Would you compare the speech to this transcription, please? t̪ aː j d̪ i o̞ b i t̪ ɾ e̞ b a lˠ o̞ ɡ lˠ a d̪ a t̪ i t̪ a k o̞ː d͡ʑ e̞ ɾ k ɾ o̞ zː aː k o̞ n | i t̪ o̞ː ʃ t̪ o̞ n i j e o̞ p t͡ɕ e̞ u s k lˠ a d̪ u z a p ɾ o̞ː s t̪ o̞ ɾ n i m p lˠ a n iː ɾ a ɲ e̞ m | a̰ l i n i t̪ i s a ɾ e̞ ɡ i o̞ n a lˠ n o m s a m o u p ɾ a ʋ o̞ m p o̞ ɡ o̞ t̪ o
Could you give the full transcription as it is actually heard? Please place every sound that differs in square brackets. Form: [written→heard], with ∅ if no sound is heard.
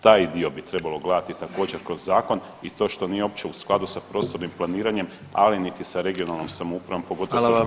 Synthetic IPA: t̪ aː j d̪ i o̞ b i t̪ ɾ e̞ b a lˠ o̞ ɡ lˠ a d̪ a t̪ i t̪ a k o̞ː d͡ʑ e̞ ɾ k ɾ o̞ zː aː k o̞ n | i t̪ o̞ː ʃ t̪ o̞ n i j e o̞ p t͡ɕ e̞ u s k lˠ a d̪ u [z→s] a p ɾ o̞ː s t̪ o̞ ɾ n i m p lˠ a n iː ɾ a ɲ e̞ m | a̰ l i n i t̪ i s a ɾ e̞ ɡ i o̞ n a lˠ n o m s a m o u p ɾ a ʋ o̞ m p o̞ ɡ o̞ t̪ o